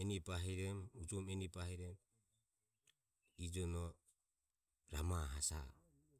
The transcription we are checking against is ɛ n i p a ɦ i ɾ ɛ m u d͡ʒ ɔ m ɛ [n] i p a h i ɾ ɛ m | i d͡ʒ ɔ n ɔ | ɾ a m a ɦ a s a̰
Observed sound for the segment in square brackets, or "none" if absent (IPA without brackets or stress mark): n